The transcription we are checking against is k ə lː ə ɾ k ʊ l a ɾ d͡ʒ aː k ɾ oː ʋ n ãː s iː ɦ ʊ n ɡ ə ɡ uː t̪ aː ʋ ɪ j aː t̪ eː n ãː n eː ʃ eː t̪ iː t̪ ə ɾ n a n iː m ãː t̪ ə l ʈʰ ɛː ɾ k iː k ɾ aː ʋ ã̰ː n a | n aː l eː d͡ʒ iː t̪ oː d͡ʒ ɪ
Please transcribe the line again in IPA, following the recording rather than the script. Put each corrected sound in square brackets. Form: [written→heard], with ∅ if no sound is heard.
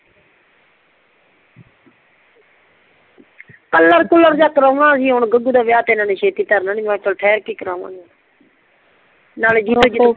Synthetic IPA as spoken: k ə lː ə ɾ k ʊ l [a→ə] ɾ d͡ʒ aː k ɾ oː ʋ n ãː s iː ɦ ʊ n ɡ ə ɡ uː [t̪→d̪] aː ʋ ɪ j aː t̪ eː n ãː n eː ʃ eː t̪ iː t̪ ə ɾ n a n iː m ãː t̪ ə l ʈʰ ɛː ɾ k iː k ɾ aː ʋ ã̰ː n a | n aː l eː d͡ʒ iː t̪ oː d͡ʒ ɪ